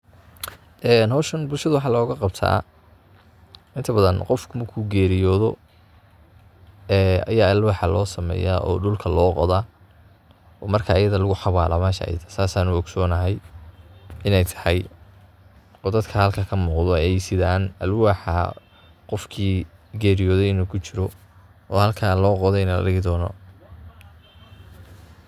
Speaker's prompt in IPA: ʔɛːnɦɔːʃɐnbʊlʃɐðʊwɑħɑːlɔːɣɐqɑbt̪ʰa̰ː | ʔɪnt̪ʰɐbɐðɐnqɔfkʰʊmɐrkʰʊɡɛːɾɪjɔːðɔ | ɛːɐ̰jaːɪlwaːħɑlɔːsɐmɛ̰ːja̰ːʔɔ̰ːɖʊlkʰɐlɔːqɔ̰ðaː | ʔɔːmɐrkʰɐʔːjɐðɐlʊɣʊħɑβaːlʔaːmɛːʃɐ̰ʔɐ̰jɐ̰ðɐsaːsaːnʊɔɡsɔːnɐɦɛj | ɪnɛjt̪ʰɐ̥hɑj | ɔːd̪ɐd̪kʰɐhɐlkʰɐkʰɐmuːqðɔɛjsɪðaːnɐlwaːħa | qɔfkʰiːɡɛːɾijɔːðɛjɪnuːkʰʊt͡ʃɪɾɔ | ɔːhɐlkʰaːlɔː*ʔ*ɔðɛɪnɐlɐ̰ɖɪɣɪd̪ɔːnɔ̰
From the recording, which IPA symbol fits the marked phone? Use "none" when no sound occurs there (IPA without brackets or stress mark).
q